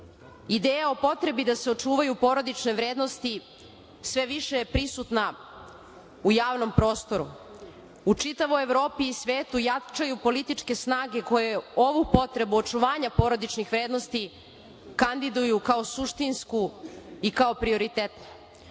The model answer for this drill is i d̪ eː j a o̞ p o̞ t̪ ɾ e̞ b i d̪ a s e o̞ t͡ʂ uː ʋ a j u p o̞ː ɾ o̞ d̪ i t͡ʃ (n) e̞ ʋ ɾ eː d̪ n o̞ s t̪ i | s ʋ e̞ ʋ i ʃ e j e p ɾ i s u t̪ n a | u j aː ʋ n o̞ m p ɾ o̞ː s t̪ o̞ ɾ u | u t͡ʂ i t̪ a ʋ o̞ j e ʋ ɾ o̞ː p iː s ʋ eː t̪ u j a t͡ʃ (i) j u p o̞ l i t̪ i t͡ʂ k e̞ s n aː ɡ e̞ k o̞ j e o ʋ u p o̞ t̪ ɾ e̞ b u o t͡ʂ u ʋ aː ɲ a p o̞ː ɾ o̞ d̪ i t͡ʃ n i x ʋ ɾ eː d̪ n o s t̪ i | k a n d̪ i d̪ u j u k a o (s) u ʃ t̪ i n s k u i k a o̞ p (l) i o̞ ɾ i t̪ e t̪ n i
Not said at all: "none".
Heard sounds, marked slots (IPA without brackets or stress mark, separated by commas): n, a, s, ɾ